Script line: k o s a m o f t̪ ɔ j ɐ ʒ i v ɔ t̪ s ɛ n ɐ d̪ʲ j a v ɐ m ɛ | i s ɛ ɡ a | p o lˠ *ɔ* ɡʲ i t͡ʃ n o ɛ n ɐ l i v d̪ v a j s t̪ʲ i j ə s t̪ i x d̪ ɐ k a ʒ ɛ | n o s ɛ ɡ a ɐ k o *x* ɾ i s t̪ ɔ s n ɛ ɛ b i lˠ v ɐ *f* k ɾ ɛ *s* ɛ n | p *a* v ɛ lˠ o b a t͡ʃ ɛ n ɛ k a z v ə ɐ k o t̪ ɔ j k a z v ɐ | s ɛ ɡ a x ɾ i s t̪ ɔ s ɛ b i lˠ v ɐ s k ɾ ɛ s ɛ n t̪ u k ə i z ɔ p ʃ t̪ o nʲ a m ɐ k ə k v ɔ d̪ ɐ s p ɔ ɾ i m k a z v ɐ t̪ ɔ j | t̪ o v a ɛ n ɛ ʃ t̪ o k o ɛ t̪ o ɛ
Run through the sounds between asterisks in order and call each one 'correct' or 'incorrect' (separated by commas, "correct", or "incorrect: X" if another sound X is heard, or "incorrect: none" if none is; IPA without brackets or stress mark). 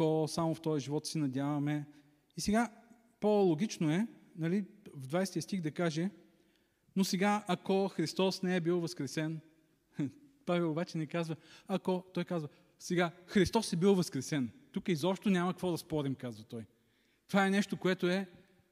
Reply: incorrect: o, correct, incorrect: s, correct, correct